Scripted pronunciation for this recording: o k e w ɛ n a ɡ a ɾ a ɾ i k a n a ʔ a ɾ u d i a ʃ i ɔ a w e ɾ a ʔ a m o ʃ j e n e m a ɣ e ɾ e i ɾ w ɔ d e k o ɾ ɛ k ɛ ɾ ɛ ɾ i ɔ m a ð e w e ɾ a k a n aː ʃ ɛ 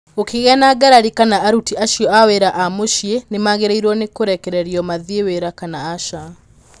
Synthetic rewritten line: o k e ɣ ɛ n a ɡ a ɾ a ɾ i k a n a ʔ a ɾ u t i a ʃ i ɔ a w e ɾ a ʔ a m o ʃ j e n e m a ɣ e ɾ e i ɾ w ɔ n e k o ɾ ɛ k ɛ ɾ ɛ ɾ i ɔ m a ð e w e ɾ a k a n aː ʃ a